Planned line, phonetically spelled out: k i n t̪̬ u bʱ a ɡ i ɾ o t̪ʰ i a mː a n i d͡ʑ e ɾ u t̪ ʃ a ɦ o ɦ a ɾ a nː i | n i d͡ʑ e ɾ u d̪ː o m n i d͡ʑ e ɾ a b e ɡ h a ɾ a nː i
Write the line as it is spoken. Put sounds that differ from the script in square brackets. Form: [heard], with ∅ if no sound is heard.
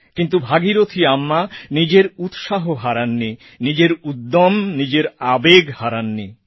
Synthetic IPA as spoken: k i n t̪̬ u bʱ a ɡ i ɾ o t̪ʰ i a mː a n i d͡ʑ e ɾ u t̪ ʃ a ɦ o ɦ a ɾ a nː i | n i d͡ʑ e ɾ u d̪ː o m n i d͡ʑ e ɾ a b e ɡ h a ɾ a nː i